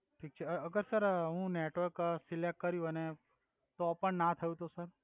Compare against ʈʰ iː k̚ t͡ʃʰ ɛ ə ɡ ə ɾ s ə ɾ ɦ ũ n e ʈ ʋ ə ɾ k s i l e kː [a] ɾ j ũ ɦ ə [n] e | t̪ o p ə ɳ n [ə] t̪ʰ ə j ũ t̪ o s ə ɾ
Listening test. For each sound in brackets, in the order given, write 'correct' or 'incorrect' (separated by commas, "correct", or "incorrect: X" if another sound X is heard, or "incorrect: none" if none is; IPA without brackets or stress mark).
incorrect: ə, correct, incorrect: a